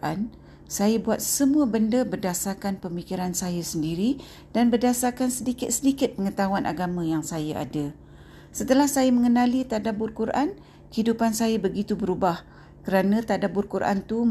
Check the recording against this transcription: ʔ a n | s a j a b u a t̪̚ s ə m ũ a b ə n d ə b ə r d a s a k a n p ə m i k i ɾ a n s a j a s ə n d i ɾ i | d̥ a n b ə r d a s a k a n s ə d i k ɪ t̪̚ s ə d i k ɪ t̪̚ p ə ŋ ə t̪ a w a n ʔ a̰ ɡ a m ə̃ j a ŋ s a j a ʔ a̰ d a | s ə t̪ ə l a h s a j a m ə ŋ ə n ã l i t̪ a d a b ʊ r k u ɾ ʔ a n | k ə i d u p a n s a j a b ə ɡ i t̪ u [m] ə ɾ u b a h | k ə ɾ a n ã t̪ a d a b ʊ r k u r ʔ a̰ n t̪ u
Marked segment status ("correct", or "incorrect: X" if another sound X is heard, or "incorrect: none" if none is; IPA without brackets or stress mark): incorrect: b